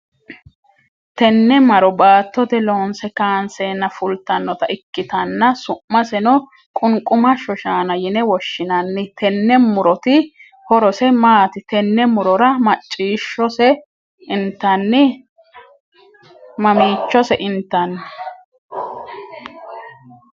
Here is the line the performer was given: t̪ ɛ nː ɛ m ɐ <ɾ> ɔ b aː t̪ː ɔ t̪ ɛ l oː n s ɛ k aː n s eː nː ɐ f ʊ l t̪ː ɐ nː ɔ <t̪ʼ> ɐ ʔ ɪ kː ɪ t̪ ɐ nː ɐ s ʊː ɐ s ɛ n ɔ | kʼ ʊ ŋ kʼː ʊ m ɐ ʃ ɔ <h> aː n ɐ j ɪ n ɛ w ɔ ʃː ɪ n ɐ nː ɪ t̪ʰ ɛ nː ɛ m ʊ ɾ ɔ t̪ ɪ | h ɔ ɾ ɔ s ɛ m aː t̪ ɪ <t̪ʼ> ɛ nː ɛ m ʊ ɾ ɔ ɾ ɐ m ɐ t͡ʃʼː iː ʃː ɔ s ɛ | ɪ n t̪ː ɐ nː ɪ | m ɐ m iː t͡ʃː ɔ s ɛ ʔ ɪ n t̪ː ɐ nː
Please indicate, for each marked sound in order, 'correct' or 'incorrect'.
correct, incorrect: t̪, incorrect: ʃ, incorrect: t̪

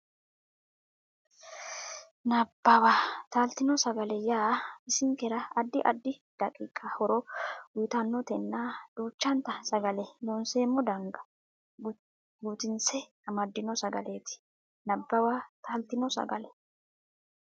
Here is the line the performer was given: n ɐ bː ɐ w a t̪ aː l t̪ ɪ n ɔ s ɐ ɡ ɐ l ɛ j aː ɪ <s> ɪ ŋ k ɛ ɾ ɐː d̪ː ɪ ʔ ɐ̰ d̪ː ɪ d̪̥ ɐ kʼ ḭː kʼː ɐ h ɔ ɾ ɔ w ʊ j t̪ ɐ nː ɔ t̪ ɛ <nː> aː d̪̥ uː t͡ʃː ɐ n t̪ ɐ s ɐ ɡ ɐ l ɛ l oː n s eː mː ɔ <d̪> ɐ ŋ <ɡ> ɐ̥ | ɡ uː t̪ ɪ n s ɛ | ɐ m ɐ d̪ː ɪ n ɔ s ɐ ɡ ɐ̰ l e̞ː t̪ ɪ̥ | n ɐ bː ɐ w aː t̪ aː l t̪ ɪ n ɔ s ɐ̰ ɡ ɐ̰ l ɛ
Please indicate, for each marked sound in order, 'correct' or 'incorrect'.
correct, correct, correct, correct

